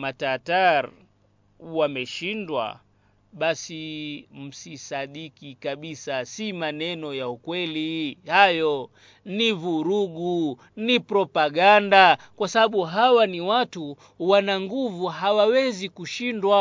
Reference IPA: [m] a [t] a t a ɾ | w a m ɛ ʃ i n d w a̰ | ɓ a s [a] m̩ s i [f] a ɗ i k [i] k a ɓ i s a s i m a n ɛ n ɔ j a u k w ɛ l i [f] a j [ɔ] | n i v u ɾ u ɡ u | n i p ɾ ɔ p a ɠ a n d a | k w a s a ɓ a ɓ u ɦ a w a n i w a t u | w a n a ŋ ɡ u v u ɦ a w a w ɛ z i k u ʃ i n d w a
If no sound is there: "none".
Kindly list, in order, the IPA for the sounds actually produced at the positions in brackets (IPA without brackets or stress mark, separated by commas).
m, t, i, s, i, h, ɔ